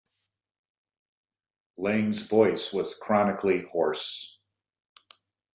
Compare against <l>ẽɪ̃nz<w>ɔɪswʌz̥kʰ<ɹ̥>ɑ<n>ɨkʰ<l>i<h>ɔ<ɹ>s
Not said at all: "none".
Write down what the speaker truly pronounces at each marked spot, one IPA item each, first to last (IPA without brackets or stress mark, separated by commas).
l, v, ɹ̥, n, l, h, ɹ